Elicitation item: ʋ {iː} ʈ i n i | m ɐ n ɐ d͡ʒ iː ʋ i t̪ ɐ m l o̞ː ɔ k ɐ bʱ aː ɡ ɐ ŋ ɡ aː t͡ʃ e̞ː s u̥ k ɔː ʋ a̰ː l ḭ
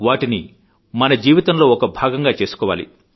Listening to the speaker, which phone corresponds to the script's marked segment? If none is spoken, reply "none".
aː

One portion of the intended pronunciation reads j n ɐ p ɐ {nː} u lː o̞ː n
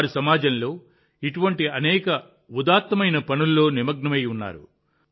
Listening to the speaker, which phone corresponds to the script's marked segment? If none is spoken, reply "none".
n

